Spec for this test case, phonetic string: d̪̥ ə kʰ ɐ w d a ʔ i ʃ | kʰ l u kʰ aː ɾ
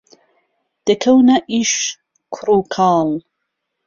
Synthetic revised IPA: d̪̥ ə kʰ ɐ w n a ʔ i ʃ | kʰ ɾ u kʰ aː l